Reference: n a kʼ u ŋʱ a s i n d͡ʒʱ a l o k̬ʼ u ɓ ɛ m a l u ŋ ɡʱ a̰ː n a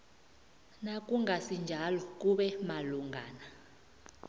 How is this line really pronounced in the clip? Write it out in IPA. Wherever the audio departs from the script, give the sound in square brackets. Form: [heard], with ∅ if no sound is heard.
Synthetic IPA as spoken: n a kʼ u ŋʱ a s i n d͡ʒʱ a l [ɔ] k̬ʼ u ɓ ɛ m a l u ŋ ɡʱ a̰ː n a